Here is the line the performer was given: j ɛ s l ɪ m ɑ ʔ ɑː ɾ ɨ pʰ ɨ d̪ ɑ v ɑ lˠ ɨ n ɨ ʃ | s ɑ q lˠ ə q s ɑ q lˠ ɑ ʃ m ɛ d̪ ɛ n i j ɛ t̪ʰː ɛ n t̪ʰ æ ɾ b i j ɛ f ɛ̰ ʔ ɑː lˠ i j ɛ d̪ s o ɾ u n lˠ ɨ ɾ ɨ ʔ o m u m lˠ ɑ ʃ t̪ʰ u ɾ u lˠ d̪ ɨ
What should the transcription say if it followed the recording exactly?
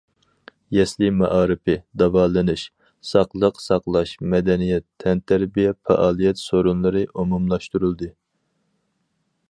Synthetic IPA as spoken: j ɛ s l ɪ m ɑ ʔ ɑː ɾ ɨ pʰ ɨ d̪ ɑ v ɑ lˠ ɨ n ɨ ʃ | s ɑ q lˠ ə q s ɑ q lˠ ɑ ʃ m ɛ d̪ ɛ n i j ɛ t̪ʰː ɛ n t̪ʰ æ ɾ b i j ɛ f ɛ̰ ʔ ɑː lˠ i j ɛ t̪ s o ɾ u n lˠ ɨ ɾ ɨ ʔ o m u m lˠ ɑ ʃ t̪ u ɾ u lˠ d̪ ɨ